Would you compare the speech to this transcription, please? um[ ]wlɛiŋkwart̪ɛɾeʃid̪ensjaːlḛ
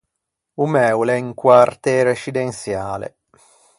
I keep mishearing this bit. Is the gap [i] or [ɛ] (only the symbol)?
ɛ